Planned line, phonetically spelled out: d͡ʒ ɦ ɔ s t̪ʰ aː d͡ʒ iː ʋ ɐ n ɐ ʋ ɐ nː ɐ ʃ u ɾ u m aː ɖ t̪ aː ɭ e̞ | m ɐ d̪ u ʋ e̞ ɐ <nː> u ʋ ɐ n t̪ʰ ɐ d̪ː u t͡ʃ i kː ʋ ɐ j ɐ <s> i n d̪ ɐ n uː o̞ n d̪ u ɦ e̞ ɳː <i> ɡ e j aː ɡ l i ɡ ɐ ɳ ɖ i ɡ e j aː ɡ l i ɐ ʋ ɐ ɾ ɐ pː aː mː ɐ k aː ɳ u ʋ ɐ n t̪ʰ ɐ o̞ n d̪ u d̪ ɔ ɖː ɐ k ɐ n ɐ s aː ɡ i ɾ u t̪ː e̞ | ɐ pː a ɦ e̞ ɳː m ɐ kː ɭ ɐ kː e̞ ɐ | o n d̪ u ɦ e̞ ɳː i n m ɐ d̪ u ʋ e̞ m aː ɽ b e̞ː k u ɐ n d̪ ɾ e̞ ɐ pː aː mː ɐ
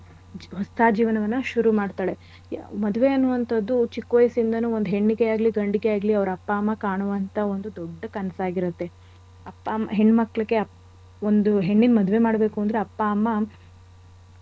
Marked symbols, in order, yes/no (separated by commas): yes, yes, yes